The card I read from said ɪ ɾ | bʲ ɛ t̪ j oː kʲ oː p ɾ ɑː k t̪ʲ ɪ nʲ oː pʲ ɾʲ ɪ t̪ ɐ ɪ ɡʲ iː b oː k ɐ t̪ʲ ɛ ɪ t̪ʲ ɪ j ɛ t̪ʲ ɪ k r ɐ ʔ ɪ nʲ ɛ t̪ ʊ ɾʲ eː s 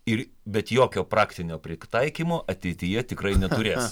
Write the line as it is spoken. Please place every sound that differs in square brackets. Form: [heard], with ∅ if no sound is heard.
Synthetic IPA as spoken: ɪ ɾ | bʲ ɛ t̪ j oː kʲ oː p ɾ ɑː k t̪ʲ ɪ nʲ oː pʲ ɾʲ ɪ t̪ ɐ ɪ [kʲ] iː [m] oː [ʔ] ɐ t̪ʲ ɛ ɪ t̪ʲ ɪ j ɛ t̪ʲ ɪ k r ɐ [∅] ɪ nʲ ɛ t̪ ʊ ɾʲ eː s